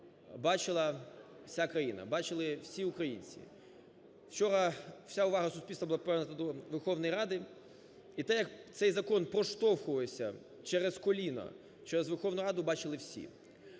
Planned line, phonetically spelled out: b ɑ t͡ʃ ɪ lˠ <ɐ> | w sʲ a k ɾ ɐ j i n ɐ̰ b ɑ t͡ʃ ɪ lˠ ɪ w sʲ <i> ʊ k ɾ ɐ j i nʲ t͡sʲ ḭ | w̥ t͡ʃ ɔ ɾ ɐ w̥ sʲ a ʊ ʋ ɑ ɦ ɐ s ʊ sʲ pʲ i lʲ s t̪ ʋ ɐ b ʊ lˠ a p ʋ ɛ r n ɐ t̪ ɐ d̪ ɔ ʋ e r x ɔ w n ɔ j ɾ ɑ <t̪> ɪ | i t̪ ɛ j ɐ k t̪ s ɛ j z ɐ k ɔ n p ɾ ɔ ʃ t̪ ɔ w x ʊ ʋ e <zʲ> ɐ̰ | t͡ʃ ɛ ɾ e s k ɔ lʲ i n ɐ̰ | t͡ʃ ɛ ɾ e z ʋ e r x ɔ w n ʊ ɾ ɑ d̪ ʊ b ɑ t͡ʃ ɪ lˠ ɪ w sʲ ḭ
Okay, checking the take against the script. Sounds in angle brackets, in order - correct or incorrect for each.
correct, correct, incorrect: d̪, incorrect: sʲ

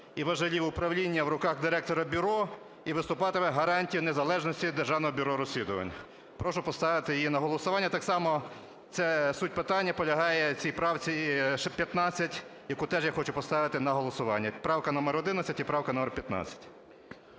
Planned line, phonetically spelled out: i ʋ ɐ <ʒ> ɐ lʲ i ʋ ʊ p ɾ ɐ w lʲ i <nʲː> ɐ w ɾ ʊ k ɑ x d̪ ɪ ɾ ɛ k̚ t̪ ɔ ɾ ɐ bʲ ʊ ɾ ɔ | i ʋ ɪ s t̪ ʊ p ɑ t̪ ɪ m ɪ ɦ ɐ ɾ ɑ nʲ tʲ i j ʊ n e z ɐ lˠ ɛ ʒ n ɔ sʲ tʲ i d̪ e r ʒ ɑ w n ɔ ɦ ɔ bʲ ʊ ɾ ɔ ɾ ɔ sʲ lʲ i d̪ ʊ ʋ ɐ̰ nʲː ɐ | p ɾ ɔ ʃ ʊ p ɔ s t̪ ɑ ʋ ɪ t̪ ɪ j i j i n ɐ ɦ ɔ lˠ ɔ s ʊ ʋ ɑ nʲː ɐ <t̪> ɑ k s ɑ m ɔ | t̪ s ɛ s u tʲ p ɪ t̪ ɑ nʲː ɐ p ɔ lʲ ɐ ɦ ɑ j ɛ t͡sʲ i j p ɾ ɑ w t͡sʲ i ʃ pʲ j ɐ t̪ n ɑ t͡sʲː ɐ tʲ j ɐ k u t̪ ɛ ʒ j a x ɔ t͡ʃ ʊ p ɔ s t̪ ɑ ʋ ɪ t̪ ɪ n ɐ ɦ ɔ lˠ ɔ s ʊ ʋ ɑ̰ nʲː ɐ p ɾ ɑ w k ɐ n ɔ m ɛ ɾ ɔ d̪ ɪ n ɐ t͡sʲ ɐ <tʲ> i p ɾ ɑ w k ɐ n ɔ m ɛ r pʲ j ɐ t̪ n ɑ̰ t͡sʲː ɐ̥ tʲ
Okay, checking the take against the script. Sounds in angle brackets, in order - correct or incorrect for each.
correct, correct, correct, correct

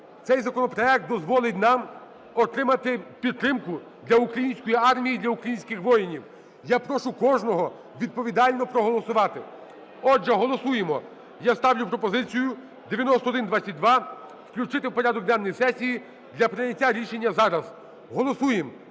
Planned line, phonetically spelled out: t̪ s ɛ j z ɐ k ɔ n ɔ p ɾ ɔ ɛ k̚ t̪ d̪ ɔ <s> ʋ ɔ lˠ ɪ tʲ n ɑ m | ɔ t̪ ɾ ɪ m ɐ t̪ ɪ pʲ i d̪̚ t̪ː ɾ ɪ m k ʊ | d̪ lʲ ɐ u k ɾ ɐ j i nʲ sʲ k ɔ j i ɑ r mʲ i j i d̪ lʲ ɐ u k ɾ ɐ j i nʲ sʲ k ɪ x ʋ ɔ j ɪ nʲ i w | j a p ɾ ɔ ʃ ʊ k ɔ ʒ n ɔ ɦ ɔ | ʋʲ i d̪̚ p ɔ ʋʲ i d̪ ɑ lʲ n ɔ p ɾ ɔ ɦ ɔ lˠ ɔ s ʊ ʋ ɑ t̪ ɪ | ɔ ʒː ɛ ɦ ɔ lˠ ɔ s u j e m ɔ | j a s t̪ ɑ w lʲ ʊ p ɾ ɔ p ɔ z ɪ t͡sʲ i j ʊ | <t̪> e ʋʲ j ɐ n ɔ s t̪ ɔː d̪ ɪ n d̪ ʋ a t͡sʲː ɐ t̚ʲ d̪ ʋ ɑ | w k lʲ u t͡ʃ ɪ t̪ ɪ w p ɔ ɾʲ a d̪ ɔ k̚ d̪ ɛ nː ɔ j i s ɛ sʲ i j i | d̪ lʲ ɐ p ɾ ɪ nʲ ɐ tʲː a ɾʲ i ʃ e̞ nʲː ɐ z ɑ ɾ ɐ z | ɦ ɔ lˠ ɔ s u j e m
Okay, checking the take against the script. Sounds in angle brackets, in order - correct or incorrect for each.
incorrect: z, incorrect: d̪

